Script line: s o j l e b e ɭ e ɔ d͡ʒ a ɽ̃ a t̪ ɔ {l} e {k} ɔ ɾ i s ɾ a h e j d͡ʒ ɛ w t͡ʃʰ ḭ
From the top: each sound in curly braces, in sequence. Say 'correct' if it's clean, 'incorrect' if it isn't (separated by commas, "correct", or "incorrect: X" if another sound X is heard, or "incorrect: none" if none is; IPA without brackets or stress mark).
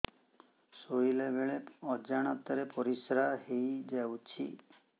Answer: incorrect: ɾ, incorrect: p